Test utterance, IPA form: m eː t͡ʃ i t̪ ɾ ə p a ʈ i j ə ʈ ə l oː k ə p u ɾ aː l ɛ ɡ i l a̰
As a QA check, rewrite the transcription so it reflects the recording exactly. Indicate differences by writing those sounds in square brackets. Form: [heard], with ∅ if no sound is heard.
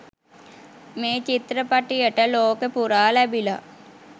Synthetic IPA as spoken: m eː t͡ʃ i t̪ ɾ ə p a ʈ i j ə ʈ ə l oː k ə p u ɾ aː l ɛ [b] i l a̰